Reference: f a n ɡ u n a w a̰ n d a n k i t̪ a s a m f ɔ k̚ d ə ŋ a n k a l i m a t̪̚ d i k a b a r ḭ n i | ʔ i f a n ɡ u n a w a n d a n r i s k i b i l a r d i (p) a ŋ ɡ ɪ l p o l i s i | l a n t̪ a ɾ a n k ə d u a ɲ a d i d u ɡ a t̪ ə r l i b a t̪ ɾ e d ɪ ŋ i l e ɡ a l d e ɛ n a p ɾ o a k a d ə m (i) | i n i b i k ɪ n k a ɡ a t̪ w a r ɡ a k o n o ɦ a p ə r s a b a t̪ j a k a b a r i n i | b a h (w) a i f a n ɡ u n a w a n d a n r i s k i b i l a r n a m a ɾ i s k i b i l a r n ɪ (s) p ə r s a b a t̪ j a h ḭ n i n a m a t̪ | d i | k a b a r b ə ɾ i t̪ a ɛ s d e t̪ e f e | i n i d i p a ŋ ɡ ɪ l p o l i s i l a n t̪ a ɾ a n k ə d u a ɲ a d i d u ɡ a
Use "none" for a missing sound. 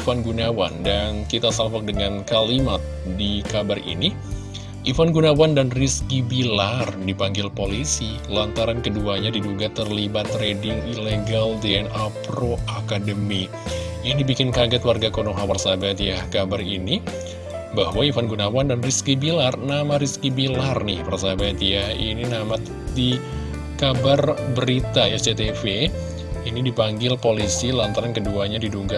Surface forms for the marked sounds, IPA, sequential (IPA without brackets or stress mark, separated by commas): p, i, w, h